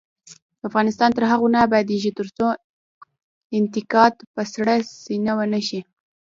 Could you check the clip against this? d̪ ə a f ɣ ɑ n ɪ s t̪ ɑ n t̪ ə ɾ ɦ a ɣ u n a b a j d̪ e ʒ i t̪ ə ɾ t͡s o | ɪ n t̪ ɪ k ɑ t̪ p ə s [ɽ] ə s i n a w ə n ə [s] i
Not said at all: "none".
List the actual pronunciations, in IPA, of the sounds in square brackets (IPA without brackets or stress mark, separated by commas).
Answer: ɽ, ʃ